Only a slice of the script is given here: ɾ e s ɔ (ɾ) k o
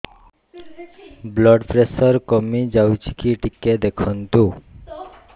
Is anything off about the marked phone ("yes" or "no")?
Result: no